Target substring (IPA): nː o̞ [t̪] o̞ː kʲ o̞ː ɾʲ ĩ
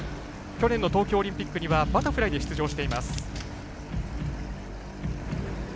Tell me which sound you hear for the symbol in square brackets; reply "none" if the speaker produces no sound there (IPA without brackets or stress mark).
t̪